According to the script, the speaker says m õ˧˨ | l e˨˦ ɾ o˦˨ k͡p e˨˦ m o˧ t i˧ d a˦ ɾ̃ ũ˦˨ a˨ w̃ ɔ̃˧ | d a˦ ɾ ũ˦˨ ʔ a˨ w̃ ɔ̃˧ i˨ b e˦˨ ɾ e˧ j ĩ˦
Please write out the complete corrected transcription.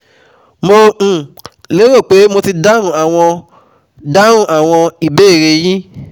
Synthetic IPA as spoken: m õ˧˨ | l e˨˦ ɾ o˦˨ k͡p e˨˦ m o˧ t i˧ d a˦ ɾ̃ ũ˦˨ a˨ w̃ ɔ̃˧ | d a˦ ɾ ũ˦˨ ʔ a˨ w̃ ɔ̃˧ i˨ b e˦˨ ɾ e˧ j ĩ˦